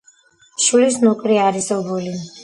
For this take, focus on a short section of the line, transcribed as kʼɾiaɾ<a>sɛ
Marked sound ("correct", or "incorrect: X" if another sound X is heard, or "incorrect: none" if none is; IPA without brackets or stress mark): incorrect: i